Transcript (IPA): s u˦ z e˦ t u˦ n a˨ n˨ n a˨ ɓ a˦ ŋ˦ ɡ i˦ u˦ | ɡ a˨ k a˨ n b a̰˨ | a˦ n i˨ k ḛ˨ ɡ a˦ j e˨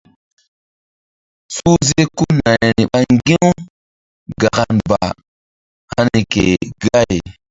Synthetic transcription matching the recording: s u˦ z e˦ k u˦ n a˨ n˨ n i˨ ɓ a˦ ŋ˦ ɡ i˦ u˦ | ɡ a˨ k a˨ n b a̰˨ | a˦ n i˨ k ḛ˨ ɡ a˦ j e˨